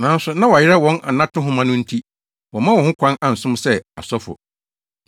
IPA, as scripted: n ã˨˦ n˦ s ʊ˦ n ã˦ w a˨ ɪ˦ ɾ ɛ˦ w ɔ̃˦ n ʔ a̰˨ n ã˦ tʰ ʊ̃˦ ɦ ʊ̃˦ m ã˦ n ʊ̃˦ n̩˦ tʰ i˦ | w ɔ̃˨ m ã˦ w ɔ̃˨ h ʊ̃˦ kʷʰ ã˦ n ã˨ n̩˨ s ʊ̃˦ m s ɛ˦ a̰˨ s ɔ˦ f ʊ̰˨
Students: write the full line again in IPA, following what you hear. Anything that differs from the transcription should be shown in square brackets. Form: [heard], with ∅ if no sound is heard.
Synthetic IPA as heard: n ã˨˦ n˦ s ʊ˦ n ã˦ w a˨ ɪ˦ ɾ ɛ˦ w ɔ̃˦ n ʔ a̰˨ n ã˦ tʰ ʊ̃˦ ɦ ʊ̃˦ m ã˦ n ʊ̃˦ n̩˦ tʰ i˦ | w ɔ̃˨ m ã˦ w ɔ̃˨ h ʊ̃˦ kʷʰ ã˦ n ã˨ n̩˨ s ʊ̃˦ m s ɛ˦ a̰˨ s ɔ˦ f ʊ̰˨